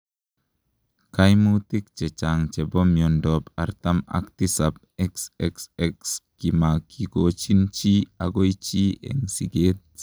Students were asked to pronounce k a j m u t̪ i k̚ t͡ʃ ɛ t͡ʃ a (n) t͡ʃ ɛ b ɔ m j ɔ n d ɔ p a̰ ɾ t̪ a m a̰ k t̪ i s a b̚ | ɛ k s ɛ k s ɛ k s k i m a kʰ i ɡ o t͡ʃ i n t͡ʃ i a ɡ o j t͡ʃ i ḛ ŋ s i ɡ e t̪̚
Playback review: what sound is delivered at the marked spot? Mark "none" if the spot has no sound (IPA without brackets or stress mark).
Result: ŋ